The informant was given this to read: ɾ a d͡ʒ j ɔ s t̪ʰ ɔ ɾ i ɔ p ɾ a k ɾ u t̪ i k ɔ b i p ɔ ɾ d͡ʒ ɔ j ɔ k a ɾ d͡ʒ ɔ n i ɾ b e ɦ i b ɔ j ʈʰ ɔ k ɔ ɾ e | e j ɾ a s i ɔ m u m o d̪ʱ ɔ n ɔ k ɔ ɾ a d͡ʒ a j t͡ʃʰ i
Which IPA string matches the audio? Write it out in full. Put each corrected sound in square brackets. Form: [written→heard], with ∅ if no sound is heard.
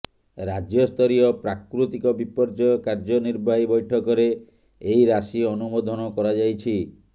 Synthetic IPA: ɾ a d͡ʒ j ɔ s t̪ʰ ɔ ɾ i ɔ p ɾ a k ɾ u t̪ i k ɔ b i p ɔ ɾ d͡ʒ ɔ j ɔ k a ɾ d͡ʒ ɔ n i ɾ b [e→a] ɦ i b ɔ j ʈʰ ɔ k ɔ ɾ e | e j ɾ a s i ɔ [m→n] u m o d̪ʱ ɔ n ɔ k ɔ ɾ a d͡ʒ a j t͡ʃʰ i